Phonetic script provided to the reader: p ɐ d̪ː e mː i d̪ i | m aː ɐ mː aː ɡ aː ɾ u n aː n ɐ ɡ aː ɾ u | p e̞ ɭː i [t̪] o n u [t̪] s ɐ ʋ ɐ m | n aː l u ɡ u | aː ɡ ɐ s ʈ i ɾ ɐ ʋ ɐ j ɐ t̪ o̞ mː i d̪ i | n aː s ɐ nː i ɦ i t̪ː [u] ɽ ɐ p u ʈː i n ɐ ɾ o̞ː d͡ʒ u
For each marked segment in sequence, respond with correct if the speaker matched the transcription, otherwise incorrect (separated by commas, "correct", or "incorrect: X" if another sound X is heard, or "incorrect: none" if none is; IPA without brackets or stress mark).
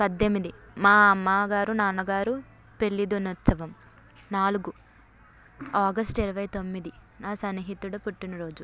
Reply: incorrect: d̪, correct, correct